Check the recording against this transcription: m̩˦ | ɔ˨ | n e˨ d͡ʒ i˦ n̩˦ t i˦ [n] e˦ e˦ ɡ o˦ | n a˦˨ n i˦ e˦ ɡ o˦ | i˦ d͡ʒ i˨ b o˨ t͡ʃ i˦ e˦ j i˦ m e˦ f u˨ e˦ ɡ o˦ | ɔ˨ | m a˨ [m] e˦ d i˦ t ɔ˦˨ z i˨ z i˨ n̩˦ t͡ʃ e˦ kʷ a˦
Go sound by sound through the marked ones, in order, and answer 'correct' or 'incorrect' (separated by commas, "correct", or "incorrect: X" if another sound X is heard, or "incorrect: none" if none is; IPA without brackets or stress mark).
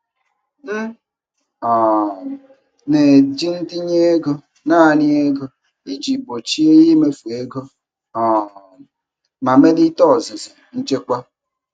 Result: incorrect: ɲ, correct